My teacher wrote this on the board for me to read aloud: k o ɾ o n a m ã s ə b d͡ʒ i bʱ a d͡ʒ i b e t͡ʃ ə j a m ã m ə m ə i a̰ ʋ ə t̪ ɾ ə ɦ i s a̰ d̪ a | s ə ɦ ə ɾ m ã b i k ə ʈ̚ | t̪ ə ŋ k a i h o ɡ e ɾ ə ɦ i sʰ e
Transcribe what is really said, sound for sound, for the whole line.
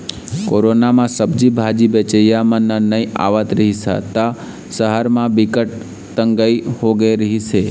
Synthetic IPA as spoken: k o ɾ o n a m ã s ə b d͡ʒ i bʱ a d͡ʒ i b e t͡ʃ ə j a m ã n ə n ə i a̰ ʋ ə t̪ ɾ ə ɦ i s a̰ t̪ a | s ə ɦ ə ɾ m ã b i k ə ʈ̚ | t̪ ə ŋ ɡ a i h o ɡ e ɾ ə ɦ i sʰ e